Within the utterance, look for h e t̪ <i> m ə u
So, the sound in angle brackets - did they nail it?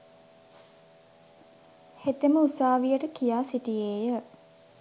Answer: no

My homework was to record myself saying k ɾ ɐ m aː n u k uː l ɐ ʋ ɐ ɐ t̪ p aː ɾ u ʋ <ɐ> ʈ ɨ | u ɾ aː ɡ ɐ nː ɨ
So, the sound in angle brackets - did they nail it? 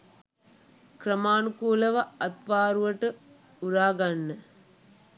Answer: yes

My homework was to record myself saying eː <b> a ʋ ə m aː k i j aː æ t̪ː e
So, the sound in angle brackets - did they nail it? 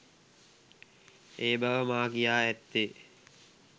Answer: yes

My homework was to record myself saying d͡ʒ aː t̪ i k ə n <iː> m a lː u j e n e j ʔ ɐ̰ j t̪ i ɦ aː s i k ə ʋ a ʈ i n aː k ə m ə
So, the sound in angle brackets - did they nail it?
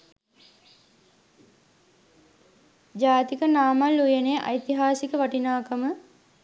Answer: no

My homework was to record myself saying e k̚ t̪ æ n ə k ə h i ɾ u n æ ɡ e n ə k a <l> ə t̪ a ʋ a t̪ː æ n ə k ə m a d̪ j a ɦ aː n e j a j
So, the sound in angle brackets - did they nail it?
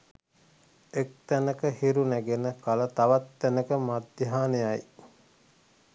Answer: yes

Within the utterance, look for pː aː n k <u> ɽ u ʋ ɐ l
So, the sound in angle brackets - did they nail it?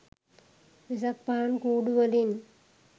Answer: no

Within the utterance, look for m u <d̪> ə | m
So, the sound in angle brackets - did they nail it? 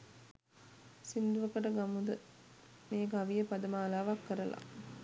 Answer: yes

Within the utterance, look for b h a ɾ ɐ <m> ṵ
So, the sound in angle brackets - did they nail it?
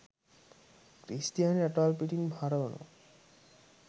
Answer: no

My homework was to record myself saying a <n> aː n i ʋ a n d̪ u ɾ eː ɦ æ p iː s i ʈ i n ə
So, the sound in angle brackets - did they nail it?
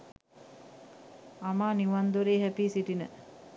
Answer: no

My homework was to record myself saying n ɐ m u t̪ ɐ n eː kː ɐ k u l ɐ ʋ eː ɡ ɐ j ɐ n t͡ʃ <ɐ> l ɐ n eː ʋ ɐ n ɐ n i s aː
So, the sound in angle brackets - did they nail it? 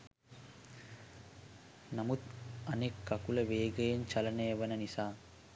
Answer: yes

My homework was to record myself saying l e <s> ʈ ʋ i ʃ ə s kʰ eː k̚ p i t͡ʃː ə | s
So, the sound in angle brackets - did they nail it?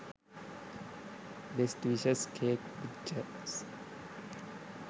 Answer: yes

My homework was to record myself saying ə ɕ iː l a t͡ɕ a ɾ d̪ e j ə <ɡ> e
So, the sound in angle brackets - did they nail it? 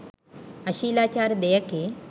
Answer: no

